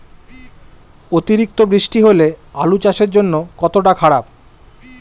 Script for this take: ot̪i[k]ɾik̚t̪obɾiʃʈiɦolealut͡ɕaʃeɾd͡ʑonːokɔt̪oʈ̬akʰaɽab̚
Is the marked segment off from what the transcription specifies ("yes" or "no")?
yes